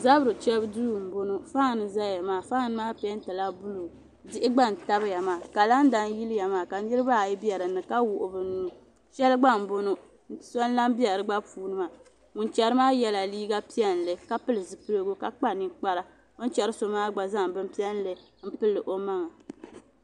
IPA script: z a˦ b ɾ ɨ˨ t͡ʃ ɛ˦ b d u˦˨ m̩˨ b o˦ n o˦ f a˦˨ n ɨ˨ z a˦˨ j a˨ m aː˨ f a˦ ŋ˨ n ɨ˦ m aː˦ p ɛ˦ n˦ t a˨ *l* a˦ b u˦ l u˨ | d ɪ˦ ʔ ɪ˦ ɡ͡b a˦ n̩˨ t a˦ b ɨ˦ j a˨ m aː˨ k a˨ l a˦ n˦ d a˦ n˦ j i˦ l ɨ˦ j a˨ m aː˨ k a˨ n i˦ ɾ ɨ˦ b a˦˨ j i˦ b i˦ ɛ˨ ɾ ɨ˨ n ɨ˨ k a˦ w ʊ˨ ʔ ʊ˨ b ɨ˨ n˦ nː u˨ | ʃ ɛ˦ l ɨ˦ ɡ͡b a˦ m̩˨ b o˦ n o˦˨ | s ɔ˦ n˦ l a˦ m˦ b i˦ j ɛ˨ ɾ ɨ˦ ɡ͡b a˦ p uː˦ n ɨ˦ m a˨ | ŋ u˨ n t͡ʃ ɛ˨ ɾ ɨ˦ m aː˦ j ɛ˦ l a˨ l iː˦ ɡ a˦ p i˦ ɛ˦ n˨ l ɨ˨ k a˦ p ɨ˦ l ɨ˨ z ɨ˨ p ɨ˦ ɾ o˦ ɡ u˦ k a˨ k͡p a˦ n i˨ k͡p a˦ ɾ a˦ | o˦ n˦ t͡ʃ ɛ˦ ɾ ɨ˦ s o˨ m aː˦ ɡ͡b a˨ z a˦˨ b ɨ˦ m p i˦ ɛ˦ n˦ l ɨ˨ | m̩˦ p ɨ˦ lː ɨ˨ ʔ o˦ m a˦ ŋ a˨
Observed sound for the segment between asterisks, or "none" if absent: l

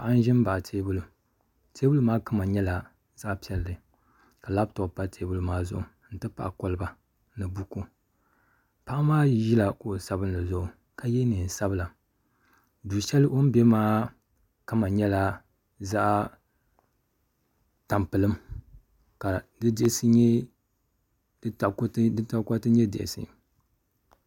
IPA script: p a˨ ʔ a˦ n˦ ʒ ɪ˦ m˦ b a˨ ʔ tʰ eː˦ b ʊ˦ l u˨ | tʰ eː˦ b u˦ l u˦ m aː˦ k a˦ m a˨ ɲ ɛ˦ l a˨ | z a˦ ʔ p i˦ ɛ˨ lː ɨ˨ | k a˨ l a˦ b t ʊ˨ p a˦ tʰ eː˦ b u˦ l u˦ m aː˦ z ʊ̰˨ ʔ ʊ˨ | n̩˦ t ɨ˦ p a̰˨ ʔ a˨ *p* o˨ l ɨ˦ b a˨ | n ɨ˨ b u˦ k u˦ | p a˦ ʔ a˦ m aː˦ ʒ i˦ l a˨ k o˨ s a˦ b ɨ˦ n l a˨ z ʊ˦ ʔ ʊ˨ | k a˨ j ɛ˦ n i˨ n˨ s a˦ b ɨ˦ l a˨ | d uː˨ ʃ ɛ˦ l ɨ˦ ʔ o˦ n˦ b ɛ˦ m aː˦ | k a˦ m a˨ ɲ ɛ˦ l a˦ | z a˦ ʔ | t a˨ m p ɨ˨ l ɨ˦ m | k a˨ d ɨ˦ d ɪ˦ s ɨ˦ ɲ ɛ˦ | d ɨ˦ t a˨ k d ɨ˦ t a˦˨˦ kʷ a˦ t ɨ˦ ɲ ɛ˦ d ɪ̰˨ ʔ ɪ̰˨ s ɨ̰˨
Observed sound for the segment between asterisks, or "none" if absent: k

